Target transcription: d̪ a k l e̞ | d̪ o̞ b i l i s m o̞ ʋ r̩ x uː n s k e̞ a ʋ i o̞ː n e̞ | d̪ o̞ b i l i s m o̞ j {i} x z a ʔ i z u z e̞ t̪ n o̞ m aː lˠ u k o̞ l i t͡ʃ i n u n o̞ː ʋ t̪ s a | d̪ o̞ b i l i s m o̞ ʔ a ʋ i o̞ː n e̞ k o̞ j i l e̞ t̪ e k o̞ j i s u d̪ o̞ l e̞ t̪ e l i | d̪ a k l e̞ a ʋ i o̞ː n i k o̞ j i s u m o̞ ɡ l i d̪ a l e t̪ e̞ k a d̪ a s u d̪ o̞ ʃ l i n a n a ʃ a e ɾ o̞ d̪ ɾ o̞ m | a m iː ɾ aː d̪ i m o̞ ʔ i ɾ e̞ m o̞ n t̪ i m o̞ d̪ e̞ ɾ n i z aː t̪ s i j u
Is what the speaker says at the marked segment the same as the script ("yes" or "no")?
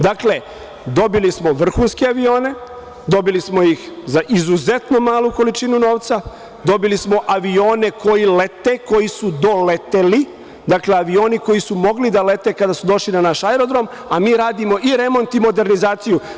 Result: yes